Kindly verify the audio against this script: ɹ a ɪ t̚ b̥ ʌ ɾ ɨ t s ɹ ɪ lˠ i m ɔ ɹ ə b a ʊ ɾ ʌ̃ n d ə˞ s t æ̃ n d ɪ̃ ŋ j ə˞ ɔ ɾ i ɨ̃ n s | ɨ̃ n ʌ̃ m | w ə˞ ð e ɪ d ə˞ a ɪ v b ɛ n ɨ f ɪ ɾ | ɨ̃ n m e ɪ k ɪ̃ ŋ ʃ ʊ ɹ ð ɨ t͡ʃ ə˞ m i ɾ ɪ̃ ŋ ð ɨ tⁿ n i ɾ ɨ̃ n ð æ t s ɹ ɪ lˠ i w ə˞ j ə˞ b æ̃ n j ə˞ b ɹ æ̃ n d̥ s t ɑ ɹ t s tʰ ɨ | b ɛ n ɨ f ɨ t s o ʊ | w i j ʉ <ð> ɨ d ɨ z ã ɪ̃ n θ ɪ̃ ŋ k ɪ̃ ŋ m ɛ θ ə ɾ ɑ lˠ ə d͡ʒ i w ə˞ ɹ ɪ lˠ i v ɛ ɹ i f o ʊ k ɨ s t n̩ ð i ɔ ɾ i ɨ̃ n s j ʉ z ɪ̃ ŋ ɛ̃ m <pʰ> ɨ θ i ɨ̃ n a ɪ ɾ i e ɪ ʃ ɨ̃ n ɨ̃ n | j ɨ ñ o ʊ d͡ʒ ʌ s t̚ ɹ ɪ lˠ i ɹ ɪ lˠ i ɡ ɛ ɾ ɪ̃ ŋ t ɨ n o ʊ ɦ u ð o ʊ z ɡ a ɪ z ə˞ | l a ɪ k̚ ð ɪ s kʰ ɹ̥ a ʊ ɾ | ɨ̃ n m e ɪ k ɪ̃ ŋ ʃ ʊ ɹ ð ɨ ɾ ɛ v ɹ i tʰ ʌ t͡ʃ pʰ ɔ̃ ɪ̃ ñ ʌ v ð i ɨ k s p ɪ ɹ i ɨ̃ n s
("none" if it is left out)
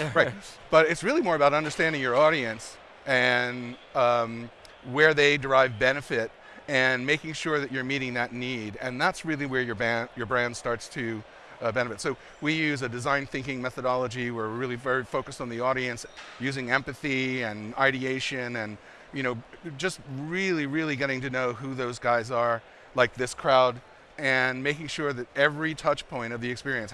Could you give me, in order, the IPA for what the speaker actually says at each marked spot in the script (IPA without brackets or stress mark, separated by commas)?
z, p